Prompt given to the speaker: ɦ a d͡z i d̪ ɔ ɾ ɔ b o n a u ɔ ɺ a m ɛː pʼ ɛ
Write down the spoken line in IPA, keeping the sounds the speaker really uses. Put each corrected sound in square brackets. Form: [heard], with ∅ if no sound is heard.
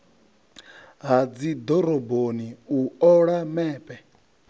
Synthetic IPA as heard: ɦ a d͡z i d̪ ɔ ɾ ɔ b o n [i] u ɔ ɺ a m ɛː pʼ ɛ

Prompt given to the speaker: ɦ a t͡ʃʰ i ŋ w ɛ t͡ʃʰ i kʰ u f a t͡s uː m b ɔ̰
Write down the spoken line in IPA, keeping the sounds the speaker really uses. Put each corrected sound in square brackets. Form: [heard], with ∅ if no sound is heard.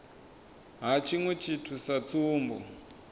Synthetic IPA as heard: ɦ a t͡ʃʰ i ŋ w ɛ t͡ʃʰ i [tʰ] u [s] a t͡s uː m b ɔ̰

